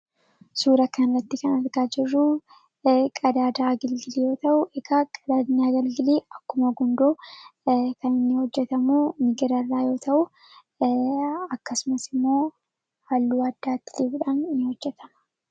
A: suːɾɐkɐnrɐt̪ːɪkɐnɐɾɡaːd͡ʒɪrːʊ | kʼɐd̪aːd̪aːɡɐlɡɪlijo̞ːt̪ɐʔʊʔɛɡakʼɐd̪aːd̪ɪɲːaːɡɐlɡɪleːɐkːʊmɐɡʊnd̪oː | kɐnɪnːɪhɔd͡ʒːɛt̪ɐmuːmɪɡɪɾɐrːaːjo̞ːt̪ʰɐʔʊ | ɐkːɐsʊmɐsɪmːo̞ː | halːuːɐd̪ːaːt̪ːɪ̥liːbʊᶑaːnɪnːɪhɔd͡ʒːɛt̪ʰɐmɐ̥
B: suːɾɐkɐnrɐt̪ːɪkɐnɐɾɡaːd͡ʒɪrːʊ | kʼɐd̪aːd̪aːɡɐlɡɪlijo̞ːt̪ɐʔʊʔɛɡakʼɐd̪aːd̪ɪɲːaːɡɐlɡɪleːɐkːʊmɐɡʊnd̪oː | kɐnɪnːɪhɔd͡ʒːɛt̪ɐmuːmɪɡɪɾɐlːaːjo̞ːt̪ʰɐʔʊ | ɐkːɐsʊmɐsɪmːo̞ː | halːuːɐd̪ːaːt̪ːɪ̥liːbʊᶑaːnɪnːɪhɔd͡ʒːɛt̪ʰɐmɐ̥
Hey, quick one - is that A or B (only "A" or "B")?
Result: A